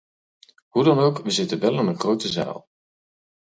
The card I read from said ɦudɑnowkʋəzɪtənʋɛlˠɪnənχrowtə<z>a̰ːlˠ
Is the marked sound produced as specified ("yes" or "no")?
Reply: yes